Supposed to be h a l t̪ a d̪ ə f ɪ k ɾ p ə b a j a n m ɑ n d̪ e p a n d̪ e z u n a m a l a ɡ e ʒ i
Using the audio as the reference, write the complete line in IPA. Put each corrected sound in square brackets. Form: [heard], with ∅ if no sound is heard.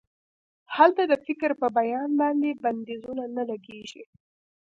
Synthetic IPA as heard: h a l t̪ a d̪ ə f ɪ k ɾ p ə b a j [ɑ] n [b] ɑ n d̪ e [b] a n d̪ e z u n a [n] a l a ɡ e ʒ i

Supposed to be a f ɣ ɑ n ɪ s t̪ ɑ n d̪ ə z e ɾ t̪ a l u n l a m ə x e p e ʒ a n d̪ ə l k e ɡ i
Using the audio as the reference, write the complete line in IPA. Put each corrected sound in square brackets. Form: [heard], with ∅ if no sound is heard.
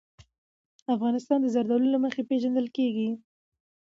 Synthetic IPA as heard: a f ɣ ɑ n ɪ s t̪ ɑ n d̪ ə z [a] ɾ [d̪] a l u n l a m ə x e p e ʒ a n d̪ ə l k e ɡ i

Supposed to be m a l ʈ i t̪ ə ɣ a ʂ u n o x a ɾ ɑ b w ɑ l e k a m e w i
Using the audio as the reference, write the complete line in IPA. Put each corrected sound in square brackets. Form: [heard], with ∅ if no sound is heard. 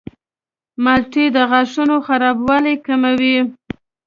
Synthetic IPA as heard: m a l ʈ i [d̪] ə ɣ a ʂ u n o x a ɾ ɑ b w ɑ l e k a m [a] w i

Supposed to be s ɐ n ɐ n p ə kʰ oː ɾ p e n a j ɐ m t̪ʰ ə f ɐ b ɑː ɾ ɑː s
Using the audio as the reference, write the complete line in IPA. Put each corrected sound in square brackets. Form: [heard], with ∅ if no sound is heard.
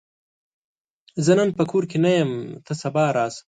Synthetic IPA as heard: [z] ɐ n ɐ n p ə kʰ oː ɾ [k] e n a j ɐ m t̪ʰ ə [s] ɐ b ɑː ɾ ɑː s

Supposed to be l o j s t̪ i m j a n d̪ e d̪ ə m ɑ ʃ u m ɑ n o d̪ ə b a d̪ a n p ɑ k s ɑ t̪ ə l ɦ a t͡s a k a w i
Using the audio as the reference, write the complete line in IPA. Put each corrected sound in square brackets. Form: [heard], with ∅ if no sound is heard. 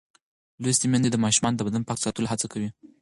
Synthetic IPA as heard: l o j s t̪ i m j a n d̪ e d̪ ə m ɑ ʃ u m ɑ n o d̪ ə b a d̪ a n p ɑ k s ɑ t̪ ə l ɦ a t͡s a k a w i

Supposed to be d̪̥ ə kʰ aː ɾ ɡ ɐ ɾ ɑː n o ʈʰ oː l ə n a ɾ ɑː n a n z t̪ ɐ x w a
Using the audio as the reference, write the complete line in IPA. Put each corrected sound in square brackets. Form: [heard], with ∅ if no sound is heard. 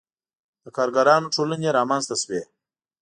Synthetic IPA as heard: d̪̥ ə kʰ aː ɾ ɡ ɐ ɾ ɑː n o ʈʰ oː l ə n [e] ɾ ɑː [m] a n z t̪ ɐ [s] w [e]

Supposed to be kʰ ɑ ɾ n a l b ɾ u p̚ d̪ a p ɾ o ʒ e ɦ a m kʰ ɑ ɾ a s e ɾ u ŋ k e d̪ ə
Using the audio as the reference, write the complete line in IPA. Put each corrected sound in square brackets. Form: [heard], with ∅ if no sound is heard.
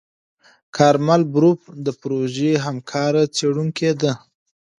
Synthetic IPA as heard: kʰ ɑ ɾ [m] a l b ɾ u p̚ d̪ [ə] p ɾ o ʒ e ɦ a m kʰ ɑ ɾ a [t͡s] e [ɽ] u ŋ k e d̪ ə

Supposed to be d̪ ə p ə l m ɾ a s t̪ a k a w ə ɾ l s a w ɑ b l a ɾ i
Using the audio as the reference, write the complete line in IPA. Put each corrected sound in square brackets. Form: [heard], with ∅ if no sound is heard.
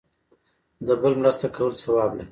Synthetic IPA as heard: d̪ ə [b] ə l m ɾ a s t̪ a k a w ə [∅] l s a w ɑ b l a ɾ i

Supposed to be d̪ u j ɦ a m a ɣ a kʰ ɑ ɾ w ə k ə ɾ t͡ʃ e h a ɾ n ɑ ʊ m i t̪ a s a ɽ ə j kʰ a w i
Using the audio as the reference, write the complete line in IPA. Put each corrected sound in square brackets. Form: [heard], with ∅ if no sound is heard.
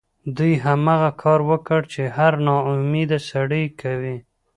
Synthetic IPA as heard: d̪ u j ɦ a m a ɣ a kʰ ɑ ɾ w ə k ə [ɽ] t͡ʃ e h a ɾ n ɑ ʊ m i [d̪] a s a ɽ ə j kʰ a w i

